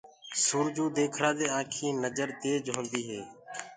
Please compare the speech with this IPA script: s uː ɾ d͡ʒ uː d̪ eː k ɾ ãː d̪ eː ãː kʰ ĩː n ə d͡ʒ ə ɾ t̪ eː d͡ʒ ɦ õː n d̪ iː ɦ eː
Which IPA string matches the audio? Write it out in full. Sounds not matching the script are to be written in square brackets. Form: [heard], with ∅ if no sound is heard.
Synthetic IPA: s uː ɾ d͡ʒ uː d̪ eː [kʰ] ɾ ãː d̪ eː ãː kʰ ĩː n ə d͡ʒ ə ɾ t̪ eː d͡ʒ ɦ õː n d̪ iː ɦ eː